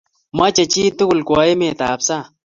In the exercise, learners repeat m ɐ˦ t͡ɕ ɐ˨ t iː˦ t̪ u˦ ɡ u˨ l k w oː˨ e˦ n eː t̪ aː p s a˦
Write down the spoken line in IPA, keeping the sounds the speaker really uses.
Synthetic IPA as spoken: m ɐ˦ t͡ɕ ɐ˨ t͡ɕ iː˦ t̪ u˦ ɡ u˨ l k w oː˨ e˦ m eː t̪ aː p s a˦